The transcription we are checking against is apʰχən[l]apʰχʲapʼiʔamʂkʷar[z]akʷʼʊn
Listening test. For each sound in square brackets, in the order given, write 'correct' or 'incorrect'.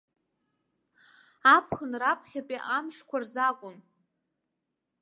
incorrect: r, correct

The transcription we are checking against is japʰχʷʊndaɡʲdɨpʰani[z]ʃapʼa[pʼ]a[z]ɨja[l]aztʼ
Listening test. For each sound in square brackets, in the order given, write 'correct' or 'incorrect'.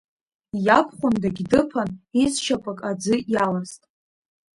correct, incorrect: kʼ, incorrect: d͡z, correct

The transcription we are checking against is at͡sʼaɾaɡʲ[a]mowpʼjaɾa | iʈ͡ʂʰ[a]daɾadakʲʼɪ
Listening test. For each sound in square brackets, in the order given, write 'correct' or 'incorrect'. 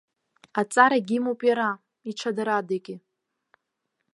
incorrect: i, correct

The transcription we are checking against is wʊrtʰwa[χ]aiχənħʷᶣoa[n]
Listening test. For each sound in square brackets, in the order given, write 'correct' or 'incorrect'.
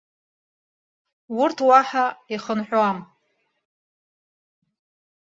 incorrect: ħ, incorrect: m

